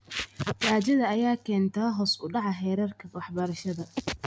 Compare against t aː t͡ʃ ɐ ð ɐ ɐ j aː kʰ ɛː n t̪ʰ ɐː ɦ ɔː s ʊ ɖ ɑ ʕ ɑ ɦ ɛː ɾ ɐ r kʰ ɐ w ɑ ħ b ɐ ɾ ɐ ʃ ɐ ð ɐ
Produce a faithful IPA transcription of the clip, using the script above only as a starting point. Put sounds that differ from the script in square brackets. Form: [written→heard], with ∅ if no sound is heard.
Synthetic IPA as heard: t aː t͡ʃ ɐ ð ɐ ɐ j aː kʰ ɛː n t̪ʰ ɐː ɦ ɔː s ʊ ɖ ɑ ʕ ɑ ɦ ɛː ɾ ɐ r kʰ ɐ w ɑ ħ b ɐ ɾ ɐ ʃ ɐ ð ɐ